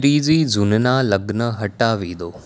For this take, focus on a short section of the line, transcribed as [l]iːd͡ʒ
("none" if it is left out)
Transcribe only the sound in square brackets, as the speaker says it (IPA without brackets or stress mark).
ɾ